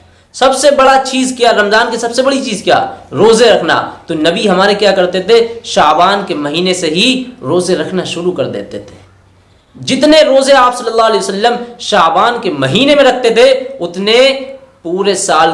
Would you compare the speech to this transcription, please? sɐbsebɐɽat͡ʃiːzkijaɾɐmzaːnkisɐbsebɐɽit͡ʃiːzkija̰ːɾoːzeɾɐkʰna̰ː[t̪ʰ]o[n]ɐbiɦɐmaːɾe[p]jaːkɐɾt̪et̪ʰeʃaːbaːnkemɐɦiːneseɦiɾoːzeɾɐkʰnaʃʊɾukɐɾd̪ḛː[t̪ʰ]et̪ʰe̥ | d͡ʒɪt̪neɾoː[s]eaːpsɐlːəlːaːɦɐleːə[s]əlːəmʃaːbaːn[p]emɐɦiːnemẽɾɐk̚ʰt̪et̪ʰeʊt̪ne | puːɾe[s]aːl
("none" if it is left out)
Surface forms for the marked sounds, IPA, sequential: t̪, n, k, t̪, z, s, k, s

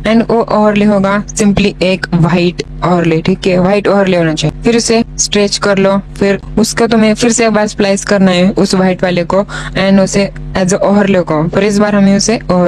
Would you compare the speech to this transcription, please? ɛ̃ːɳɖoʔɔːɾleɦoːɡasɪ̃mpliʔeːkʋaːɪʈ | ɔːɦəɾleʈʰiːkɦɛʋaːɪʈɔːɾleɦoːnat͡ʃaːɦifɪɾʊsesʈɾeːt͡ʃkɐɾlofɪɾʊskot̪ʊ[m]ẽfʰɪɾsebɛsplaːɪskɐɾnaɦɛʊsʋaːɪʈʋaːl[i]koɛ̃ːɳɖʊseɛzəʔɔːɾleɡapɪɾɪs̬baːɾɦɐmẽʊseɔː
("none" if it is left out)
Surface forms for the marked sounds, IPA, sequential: m, e

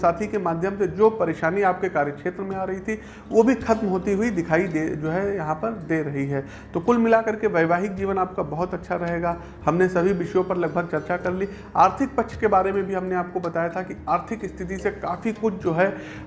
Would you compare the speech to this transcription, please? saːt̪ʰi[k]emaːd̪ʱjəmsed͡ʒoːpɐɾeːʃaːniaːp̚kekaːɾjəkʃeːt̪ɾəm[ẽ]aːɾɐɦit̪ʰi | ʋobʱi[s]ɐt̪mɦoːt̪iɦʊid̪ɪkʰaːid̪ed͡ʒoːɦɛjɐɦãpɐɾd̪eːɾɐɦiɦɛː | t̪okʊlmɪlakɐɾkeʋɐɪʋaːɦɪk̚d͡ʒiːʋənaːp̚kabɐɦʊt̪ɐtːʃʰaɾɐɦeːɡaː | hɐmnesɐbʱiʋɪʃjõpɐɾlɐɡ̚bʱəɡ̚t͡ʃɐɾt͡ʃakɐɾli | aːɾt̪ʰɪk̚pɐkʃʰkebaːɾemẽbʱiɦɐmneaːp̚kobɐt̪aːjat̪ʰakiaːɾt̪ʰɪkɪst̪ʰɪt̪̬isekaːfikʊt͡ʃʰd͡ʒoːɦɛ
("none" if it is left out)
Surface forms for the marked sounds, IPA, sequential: k, ẽ, x

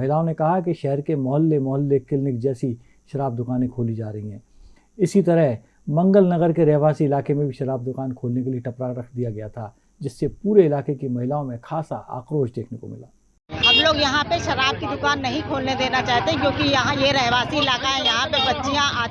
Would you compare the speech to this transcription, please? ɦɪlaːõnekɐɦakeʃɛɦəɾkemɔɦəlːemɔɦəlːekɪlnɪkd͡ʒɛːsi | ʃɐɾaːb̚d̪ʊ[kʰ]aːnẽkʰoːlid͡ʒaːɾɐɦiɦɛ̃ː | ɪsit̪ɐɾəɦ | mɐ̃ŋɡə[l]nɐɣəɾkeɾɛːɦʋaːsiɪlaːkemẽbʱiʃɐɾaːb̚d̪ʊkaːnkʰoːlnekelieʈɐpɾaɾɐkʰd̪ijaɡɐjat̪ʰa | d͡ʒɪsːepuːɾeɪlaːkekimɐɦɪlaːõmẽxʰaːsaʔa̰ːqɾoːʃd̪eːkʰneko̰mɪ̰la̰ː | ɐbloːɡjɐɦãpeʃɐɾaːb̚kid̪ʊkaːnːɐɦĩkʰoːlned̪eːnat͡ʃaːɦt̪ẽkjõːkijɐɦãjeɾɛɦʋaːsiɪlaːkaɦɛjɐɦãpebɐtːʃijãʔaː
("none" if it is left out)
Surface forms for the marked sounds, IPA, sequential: k, l

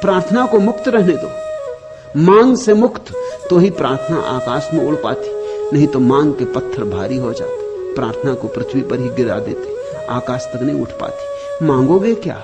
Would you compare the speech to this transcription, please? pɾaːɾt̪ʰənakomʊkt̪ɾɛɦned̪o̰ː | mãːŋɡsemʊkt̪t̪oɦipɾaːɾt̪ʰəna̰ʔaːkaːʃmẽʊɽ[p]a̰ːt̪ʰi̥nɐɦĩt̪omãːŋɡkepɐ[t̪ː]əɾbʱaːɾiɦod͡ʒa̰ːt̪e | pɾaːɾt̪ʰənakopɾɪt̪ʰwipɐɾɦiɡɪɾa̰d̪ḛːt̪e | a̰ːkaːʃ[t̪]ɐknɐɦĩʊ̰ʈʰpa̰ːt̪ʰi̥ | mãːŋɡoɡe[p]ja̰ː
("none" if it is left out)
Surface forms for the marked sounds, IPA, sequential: p, t̪ʰː, t̪, k

